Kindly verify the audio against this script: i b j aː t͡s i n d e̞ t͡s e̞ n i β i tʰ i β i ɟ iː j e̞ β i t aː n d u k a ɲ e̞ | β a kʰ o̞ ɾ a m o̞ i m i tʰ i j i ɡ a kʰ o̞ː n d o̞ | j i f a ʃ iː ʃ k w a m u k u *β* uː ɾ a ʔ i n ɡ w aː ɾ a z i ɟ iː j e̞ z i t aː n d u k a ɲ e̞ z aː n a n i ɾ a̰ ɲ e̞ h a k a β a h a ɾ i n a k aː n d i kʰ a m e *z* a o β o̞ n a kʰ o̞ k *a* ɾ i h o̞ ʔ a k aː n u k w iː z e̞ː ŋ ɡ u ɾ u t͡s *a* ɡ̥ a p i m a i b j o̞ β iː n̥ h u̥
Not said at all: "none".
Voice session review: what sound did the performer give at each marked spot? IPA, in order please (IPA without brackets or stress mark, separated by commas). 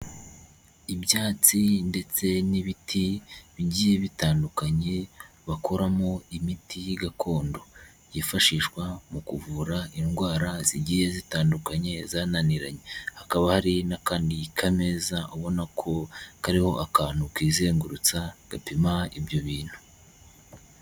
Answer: v, z, a, a